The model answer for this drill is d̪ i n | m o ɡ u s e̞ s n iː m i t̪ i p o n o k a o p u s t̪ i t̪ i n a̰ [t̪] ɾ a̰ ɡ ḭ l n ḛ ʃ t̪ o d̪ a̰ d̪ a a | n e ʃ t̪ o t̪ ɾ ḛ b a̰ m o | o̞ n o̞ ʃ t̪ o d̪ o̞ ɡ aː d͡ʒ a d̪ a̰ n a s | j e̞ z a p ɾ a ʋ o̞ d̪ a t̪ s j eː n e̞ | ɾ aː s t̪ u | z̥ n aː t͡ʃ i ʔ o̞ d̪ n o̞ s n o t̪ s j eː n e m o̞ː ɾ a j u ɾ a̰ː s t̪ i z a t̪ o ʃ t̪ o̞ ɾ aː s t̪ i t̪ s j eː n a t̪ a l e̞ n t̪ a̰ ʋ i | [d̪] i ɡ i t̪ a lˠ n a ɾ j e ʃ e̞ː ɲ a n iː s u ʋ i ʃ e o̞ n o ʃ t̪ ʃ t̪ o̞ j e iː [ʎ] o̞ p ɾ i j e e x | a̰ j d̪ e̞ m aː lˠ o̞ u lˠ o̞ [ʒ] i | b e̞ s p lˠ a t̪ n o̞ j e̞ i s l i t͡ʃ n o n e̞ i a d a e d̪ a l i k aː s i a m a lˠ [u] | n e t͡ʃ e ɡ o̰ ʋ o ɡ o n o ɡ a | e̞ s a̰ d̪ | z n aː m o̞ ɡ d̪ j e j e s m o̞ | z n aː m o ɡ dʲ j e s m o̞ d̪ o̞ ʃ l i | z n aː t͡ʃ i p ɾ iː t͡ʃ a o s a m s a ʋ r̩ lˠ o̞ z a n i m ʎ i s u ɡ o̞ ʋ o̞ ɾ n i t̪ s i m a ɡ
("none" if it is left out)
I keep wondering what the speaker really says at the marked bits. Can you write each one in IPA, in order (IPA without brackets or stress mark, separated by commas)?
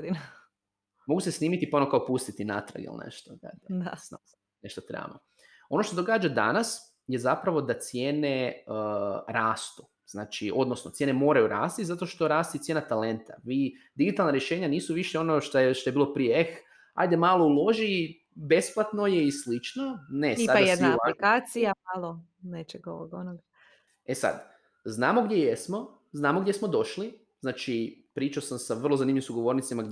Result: t̪, d̪, l, ʒ, o